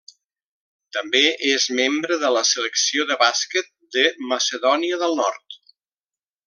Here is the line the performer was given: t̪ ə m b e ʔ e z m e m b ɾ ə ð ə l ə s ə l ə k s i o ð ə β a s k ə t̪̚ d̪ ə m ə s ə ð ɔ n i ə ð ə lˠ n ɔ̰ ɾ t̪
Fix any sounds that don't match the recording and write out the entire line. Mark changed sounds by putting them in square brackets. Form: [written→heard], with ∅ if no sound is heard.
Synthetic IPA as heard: t̪ ə m b e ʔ e z m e m b ɾ ə ð ə l ə s ə l ə k s i o ð ə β a s k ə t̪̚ d̪ ə m ə s ə ð ɔ n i ə ð ə lˠ n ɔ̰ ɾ t̪